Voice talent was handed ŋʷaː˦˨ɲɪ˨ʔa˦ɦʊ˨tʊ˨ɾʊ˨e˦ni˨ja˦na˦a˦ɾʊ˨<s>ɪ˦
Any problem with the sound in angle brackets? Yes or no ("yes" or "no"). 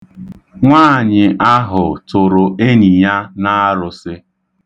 no